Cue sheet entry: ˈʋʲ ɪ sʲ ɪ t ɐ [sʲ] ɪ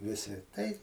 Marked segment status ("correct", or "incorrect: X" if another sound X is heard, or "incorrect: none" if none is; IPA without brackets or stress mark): incorrect: none